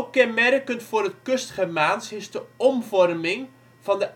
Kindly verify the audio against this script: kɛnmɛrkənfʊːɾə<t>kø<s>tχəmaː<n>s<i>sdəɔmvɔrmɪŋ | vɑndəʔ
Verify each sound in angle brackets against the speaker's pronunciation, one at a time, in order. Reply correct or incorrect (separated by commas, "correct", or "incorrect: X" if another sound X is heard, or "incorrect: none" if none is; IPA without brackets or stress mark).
correct, correct, correct, incorrect: ɪ